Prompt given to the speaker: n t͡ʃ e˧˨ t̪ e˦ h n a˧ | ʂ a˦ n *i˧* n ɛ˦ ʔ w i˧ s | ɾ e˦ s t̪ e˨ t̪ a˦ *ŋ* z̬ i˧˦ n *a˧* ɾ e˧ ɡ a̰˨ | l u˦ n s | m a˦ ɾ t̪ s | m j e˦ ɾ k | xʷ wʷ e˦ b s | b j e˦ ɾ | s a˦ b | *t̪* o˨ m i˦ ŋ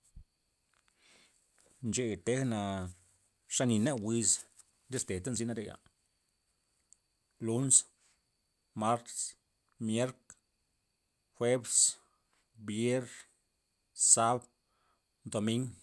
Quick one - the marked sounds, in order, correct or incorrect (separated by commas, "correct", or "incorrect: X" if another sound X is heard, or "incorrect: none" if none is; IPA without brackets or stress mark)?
correct, incorrect: n, correct, incorrect: d̪